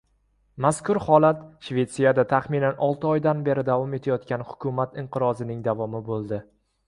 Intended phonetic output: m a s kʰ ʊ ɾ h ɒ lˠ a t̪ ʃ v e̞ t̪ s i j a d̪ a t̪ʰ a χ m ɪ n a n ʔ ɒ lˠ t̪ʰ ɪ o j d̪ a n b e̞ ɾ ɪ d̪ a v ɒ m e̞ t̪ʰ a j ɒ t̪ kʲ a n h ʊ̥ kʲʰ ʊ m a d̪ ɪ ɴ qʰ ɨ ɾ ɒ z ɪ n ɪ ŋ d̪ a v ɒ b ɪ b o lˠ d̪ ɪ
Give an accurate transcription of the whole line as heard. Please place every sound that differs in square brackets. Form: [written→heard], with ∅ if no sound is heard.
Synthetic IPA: m a s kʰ ʊ ɾ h ɒ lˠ a t̪ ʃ v e̞ t̪ s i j a d̪ a t̪ʰ a χ m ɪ n a n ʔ ɒ lˠ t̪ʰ ɪ [o→ɒ] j d̪ a n b e̞ ɾ ɪ d̪ a v ɒ m e̞ t̪ʰ a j ɒ t̪ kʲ a n h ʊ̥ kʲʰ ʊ m a [d̪→t̪] ɪ ɴ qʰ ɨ ɾ ɒ z ɪ n ɪ ŋ d̪ a v ɒ [b→m] ɪ b o lˠ d̪ ɪ